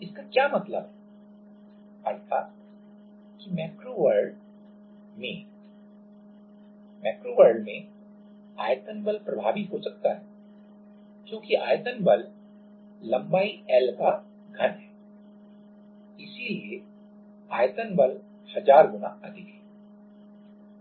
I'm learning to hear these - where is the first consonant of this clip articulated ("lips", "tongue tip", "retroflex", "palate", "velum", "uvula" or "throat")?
tongue tip